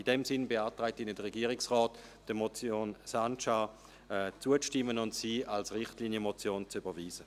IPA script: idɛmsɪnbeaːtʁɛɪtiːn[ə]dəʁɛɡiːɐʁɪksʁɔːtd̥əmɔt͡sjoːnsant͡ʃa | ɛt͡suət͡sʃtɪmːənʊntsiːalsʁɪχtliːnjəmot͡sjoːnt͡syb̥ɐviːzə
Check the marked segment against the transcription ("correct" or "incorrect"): correct